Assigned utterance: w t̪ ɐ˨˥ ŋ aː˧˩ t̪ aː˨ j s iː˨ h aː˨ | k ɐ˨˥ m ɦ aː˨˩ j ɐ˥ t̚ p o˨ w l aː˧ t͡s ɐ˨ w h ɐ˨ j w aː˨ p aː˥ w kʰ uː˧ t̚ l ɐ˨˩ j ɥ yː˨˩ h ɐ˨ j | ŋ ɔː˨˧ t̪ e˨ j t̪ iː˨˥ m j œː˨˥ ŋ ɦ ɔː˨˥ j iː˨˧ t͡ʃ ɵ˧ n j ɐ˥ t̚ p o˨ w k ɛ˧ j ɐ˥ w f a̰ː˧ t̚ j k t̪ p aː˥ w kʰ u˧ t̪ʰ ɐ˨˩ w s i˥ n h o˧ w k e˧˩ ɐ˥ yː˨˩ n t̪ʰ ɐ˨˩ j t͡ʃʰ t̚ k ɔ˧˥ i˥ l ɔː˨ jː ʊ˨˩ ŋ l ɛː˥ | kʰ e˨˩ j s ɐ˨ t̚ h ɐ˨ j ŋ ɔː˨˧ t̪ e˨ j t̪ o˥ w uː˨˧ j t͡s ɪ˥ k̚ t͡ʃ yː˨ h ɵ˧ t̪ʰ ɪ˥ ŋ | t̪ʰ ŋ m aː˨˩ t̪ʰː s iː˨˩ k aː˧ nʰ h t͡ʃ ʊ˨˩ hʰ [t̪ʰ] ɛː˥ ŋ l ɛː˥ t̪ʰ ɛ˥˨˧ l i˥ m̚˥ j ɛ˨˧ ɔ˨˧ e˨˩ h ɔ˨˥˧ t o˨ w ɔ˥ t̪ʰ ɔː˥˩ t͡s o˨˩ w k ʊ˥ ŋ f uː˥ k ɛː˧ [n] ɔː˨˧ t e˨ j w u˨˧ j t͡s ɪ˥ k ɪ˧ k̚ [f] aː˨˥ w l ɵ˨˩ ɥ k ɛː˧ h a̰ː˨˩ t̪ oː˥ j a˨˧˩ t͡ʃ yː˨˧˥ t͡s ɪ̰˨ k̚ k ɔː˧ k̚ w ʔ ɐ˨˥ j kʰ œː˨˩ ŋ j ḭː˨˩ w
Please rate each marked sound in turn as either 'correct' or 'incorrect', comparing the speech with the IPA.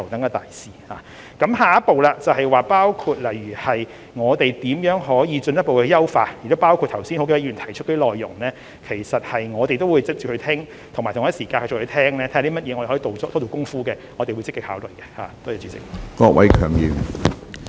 correct, incorrect: ŋ, incorrect: h

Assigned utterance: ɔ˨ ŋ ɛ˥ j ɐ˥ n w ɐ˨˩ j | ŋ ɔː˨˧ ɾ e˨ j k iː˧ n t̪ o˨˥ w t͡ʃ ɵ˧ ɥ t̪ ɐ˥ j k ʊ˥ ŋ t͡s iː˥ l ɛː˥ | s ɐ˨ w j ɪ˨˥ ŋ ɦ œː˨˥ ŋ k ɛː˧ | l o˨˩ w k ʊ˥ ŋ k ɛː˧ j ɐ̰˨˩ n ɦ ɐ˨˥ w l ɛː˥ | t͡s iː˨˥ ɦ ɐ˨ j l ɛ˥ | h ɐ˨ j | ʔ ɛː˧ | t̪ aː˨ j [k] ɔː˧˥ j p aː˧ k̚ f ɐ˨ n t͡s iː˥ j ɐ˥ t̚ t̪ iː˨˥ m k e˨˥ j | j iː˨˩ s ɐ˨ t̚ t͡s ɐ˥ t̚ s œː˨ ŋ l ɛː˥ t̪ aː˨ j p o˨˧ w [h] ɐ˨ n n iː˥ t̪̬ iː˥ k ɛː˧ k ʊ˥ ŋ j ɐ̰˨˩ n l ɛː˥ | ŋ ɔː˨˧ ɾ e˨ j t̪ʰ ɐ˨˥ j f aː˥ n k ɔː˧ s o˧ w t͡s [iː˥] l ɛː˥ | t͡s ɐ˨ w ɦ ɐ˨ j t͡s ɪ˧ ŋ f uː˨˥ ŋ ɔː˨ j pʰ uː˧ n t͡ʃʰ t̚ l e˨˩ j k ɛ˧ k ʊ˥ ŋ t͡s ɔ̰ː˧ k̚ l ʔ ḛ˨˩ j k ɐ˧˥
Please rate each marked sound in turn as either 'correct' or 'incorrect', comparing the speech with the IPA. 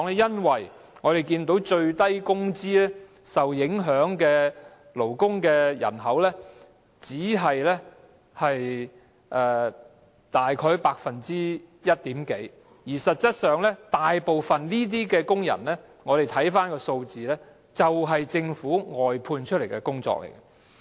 incorrect: kʰ, incorrect: f, incorrect: iː˨

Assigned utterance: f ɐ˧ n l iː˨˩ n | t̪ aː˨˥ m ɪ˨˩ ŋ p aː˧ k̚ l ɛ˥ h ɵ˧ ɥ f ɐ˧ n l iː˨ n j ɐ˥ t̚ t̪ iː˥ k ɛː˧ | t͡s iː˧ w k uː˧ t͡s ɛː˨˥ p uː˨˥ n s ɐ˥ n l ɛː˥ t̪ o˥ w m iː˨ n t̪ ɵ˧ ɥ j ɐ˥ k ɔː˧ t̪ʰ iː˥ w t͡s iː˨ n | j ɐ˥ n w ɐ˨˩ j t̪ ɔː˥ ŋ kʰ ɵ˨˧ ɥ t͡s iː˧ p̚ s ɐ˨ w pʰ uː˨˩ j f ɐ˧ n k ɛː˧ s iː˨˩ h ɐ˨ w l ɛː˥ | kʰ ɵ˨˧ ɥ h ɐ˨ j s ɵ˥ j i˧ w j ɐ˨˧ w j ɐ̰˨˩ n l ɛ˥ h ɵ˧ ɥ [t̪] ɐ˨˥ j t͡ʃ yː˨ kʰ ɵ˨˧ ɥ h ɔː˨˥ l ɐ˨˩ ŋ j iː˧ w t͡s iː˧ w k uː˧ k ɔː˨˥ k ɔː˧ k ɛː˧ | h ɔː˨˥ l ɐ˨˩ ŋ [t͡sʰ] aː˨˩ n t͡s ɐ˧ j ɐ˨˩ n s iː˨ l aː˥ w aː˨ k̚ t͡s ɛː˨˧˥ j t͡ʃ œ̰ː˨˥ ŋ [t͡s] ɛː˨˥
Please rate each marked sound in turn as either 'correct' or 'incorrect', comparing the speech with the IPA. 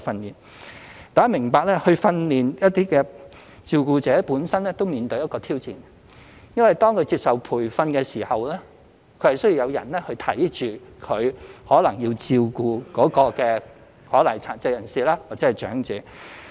incorrect: t̪ʰ, correct, correct

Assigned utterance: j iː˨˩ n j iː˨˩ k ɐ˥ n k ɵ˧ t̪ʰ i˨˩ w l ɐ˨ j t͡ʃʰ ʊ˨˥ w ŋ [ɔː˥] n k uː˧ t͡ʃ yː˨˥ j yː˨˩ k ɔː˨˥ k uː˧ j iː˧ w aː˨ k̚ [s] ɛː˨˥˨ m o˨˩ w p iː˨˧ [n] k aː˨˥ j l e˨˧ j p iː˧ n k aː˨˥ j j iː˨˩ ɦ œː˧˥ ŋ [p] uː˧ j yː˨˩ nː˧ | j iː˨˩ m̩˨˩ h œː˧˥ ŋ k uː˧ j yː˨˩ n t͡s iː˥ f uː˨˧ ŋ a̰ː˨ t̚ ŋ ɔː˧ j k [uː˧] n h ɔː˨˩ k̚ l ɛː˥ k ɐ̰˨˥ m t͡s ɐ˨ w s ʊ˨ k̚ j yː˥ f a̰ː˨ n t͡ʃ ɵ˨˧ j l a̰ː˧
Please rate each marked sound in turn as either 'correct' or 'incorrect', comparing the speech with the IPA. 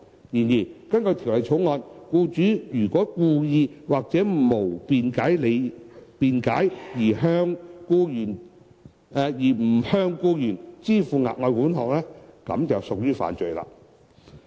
incorrect: ɔː˧, incorrect: t͡s, correct, incorrect: k, incorrect: uː˨˥

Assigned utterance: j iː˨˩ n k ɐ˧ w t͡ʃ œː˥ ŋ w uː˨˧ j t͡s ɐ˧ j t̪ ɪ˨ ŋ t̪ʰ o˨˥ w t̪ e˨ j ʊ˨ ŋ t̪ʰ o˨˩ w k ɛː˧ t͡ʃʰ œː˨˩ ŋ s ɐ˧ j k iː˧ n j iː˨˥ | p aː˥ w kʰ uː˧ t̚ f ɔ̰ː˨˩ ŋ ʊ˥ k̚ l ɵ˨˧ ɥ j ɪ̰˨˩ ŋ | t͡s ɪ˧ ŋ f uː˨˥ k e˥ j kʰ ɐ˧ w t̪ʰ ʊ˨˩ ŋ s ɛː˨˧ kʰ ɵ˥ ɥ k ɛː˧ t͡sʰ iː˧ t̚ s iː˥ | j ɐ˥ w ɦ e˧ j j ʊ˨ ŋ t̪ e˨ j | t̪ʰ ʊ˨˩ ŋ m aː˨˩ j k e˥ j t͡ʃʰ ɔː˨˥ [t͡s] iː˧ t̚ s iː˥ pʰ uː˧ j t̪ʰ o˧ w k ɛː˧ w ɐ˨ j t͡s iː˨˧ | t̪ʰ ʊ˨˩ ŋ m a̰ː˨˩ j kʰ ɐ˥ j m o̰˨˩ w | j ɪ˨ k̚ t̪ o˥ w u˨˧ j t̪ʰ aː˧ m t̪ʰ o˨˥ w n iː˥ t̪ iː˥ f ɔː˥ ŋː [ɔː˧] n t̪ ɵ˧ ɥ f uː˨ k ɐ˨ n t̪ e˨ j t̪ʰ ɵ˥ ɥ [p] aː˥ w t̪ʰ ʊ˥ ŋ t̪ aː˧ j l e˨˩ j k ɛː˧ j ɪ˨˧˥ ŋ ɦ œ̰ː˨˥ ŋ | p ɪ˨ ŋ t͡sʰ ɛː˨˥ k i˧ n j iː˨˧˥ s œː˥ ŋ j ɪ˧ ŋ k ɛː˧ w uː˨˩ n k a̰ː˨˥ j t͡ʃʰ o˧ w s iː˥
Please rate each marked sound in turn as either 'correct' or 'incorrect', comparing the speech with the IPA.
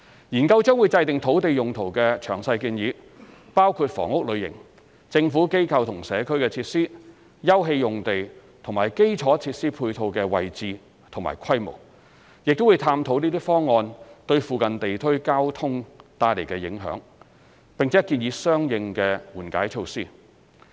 incorrect: t͡sʰ, correct, incorrect: k

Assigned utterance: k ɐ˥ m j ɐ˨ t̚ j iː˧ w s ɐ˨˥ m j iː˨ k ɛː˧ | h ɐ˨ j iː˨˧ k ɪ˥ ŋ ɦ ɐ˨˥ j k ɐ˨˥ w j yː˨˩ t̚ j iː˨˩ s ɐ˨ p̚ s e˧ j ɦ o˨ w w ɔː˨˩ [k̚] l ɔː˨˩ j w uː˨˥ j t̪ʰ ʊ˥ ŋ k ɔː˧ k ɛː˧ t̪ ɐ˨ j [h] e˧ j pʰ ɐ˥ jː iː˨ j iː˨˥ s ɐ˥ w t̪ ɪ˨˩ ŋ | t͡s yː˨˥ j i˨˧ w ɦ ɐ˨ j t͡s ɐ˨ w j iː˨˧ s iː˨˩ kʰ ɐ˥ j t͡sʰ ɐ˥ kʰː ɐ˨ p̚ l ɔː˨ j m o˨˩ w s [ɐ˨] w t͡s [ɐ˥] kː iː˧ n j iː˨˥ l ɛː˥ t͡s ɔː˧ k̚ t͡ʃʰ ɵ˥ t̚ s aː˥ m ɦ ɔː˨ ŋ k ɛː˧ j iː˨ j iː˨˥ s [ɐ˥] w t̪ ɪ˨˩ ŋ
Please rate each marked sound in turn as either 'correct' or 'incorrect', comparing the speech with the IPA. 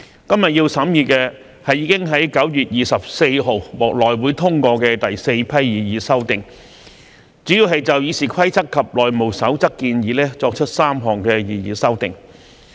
correct, incorrect: s, incorrect: ɐ˨˥, correct, correct

